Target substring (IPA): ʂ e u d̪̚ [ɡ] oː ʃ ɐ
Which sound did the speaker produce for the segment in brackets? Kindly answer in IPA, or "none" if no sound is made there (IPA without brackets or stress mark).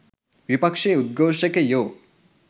ɡ